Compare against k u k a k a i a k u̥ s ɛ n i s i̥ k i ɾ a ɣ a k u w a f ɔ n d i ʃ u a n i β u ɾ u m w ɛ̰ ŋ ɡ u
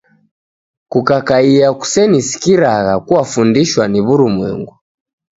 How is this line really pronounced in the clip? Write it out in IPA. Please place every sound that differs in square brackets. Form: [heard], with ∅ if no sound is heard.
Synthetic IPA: k u k a k a i a k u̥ s ɛ n i s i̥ k i ɾ a ɣ a k u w a f [u] n d i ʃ [w] a n i β u ɾ u m w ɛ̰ ŋ ɡ u